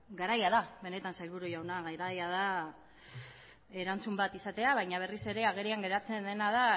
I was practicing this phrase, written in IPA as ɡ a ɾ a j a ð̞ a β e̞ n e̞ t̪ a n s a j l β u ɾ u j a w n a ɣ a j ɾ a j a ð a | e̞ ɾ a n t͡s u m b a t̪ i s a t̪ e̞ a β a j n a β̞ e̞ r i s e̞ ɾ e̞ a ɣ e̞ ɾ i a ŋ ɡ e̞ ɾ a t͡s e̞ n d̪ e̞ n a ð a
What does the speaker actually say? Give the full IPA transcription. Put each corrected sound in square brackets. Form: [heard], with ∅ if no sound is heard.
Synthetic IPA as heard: ɡ a ɾ a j a ð̞ a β e̞ n e̞ t̪ a n s a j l β u ɾ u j a w n a ɣ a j ɾ a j a ð a | e̞ ɾ a n t͡s u m b a t̪ i s a t̪ e̞ a β a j [ɲ] a β̞ e̞ r i s e̞ ɾ e̞ a ɣ e̞ ɾ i a ŋ ɡ e̞ ɾ a t͡s e̞ n d̪ e̞ n a ð a